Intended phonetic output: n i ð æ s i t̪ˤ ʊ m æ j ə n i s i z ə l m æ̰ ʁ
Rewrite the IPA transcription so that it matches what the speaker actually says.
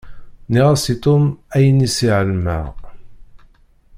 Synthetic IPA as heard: n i ʁ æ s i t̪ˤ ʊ m æ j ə n i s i ʕ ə l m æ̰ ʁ